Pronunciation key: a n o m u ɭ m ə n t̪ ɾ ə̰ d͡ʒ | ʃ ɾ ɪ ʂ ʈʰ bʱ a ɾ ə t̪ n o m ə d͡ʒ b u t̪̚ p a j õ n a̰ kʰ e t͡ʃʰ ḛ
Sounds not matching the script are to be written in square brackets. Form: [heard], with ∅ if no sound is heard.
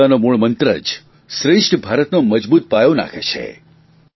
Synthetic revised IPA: a n o m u ɭ m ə n t̪ ɾ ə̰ d͡ʒ | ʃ ɾ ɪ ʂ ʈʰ bʱ a ɾ ə t̪ n o m ə d͡ʒ b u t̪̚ p a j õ n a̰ kʰ e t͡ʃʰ ḛ